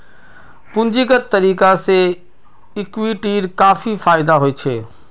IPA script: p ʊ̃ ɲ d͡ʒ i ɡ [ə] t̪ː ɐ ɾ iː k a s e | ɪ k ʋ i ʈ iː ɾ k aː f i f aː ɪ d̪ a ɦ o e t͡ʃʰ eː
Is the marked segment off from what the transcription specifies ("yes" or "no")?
no